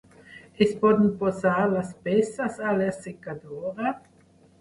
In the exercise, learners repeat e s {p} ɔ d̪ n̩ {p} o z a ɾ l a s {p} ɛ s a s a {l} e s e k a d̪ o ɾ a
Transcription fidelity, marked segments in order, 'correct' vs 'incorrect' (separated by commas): correct, correct, correct, correct